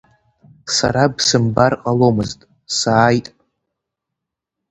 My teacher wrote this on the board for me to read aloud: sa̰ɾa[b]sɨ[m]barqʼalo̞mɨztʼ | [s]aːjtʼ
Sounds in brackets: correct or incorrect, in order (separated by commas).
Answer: correct, correct, correct